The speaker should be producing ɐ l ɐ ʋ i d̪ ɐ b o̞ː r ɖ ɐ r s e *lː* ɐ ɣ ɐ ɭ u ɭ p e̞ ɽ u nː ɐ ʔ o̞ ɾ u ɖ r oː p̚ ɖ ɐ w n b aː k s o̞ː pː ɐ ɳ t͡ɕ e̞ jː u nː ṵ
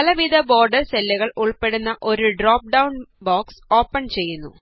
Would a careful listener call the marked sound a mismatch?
no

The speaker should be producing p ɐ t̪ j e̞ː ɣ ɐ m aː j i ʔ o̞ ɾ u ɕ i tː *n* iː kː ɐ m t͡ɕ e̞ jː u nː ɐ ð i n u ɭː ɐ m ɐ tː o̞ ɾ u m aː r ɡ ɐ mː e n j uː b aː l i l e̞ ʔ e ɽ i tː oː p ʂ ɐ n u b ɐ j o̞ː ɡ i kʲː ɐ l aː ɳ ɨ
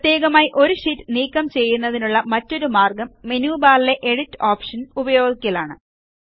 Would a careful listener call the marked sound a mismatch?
no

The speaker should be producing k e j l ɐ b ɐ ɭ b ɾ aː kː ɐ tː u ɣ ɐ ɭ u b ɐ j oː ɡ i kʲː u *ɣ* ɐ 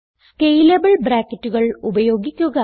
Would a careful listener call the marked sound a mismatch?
no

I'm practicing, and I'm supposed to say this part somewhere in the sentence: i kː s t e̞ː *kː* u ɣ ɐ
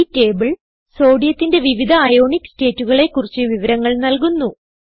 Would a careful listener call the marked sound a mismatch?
yes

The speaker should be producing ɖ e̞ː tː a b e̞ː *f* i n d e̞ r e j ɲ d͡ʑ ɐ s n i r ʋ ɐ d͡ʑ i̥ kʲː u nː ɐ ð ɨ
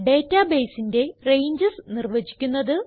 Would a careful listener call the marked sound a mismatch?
yes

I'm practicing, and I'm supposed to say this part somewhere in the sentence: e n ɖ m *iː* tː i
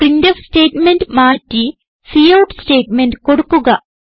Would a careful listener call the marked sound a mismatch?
yes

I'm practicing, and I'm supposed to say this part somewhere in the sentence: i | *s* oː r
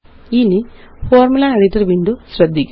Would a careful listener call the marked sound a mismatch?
yes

